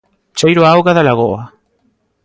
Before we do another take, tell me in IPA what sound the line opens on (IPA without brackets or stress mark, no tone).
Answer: t͡ʃ